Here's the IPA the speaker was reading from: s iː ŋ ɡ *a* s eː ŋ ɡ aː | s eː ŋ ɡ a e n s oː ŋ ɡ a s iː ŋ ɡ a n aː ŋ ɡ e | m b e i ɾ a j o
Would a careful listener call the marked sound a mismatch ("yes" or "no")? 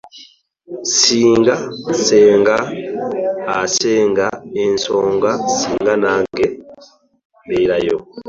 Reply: no